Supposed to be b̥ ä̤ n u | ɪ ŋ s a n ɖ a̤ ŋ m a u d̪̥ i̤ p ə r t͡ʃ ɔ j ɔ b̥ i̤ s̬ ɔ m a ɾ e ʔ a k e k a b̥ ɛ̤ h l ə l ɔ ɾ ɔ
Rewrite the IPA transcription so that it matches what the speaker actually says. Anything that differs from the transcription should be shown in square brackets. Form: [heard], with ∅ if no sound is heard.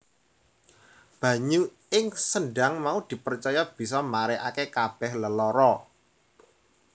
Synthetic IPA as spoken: b̥ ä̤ [ɲ] u | ɪ ŋ s [ə] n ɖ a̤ ŋ m a u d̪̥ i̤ p ə r t͡ʃ ɔ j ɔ b̥ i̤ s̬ ɔ m a ɾ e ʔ a k e k a b̥ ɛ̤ h l ə l ɔ ɾ ɔ